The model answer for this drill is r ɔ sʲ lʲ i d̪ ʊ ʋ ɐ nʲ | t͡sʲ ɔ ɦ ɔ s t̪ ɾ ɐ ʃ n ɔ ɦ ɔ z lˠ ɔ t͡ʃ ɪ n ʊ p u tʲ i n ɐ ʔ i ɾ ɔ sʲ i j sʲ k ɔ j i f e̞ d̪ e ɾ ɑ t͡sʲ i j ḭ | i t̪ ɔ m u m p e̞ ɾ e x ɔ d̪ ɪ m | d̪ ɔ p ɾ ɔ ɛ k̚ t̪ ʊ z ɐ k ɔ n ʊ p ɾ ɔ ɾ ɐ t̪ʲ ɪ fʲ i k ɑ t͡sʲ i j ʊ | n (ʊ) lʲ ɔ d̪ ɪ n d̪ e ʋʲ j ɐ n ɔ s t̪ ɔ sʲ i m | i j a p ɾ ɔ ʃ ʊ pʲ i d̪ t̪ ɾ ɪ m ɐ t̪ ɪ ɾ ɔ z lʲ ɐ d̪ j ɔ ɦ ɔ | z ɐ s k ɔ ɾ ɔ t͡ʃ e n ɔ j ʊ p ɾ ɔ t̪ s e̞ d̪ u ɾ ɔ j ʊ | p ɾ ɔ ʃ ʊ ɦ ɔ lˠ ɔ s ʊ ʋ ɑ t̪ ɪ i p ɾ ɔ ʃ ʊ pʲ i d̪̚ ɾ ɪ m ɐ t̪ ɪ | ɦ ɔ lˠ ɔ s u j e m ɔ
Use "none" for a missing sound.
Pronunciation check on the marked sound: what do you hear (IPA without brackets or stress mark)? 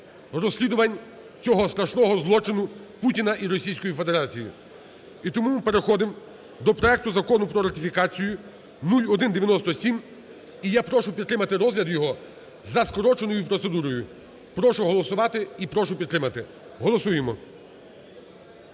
u